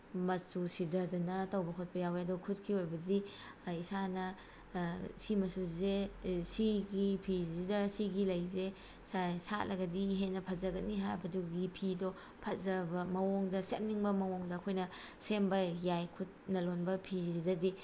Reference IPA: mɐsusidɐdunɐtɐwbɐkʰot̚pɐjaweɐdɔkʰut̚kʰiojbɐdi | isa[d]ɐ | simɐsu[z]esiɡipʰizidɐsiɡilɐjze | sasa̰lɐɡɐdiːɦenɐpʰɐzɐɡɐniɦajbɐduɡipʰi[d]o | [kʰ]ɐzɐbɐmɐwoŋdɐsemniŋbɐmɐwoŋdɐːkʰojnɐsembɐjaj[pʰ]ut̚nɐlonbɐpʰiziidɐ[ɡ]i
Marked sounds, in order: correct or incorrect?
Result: incorrect, correct, correct, incorrect, incorrect, incorrect

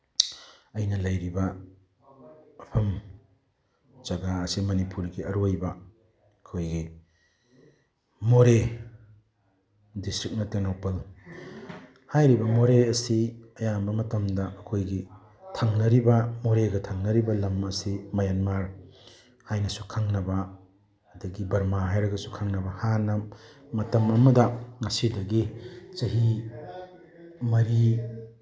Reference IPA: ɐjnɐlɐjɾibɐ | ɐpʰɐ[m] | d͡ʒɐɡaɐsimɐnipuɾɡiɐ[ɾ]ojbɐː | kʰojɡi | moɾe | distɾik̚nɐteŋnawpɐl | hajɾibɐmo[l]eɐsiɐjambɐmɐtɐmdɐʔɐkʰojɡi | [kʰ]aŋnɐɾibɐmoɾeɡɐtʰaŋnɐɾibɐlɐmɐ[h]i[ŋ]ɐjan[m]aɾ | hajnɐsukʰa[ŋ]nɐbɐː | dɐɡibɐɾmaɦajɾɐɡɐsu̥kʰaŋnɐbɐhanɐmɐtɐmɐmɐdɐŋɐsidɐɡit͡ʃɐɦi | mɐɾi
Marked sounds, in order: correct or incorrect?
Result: correct, correct, incorrect, incorrect, incorrect, incorrect, correct, correct

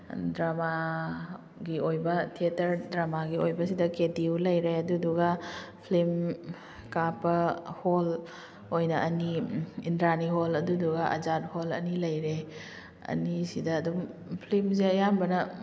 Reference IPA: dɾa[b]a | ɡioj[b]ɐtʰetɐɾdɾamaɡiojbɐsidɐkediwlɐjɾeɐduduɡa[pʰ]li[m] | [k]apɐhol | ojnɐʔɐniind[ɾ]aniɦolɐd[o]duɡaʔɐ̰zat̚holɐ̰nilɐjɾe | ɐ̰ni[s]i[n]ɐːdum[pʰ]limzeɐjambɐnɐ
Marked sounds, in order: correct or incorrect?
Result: incorrect, correct, correct, correct, correct, correct, incorrect, correct, incorrect, correct

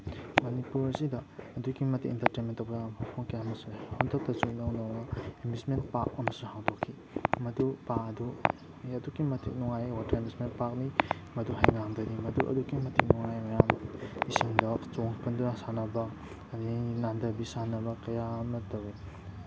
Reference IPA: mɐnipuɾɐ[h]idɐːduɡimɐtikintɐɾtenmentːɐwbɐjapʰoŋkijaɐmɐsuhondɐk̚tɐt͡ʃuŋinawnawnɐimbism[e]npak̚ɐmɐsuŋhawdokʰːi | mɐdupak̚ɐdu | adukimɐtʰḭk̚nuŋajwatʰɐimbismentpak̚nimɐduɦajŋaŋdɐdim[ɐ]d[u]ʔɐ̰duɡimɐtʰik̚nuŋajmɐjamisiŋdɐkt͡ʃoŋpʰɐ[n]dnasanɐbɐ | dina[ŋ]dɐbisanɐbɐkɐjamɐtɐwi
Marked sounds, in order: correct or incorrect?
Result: incorrect, correct, correct, correct, correct, incorrect

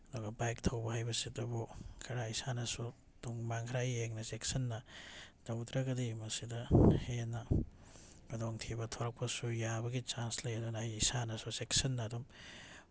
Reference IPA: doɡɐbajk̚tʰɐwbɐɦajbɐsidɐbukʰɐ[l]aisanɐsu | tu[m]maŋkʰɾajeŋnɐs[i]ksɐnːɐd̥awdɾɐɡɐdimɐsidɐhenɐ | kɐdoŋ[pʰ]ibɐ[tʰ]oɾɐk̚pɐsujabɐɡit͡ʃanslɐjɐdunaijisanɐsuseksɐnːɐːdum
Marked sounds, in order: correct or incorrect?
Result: incorrect, incorrect, incorrect, incorrect, correct

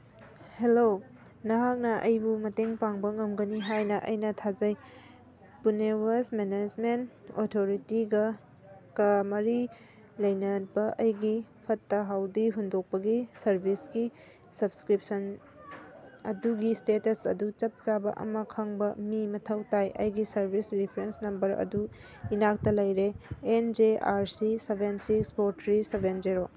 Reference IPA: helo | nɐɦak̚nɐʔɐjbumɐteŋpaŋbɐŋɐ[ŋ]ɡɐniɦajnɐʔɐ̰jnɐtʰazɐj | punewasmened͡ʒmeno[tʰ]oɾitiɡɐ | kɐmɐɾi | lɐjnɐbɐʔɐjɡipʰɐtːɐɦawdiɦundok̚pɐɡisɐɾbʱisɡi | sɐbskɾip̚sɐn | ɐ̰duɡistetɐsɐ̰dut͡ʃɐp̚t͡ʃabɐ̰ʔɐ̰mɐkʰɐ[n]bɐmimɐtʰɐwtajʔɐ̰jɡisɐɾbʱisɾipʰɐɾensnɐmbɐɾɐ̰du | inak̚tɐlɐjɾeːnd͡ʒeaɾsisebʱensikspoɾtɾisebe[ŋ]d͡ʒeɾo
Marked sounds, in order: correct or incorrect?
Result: incorrect, correct, incorrect, incorrect

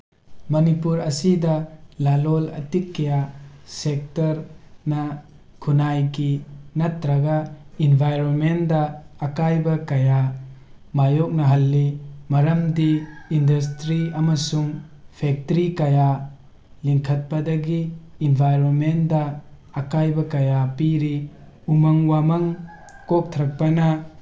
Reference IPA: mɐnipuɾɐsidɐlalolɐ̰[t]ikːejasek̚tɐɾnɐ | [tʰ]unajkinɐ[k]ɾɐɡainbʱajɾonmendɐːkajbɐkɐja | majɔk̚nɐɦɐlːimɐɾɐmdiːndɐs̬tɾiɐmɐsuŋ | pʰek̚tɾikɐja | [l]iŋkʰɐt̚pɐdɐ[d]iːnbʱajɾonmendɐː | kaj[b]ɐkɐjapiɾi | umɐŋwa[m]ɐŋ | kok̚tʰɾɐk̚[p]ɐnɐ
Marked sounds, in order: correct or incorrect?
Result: correct, incorrect, incorrect, correct, incorrect, correct, correct, correct

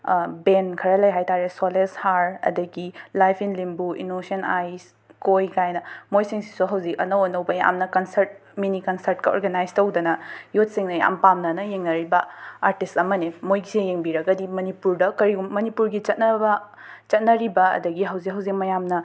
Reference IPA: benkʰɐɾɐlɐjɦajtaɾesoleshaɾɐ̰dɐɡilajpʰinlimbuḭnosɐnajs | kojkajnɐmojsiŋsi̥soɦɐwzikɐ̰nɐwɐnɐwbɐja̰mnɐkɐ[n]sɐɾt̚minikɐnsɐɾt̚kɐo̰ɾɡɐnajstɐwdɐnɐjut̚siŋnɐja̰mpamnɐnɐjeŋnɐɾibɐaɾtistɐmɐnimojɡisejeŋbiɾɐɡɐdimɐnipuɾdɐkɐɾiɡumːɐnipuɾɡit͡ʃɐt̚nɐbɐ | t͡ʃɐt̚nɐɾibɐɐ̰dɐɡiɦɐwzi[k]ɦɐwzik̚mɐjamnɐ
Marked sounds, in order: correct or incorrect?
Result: correct, correct

